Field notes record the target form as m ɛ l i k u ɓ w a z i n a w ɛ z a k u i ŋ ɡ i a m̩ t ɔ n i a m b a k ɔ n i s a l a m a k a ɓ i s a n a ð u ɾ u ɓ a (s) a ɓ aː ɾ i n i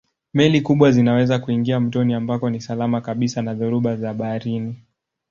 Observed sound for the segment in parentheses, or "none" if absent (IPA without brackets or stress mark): z